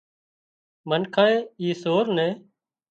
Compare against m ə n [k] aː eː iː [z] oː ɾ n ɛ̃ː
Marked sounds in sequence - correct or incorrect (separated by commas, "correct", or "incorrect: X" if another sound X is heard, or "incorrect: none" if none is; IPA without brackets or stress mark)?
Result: incorrect: kʰ, incorrect: s